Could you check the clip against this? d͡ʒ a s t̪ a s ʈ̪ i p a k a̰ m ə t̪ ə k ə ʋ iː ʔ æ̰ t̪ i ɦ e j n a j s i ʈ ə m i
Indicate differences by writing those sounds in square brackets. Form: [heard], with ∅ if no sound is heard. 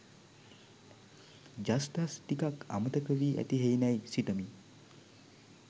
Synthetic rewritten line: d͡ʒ a s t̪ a s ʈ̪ i [k] a k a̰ m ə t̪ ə k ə ʋ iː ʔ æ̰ t̪ i ɦ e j n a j s i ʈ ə m i